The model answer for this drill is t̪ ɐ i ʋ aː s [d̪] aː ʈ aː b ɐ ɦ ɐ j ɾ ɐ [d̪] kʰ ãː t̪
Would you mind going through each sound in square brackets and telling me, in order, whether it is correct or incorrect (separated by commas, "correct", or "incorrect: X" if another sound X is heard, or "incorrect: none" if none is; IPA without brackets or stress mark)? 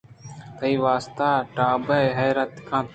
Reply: incorrect: t̪, incorrect: t̪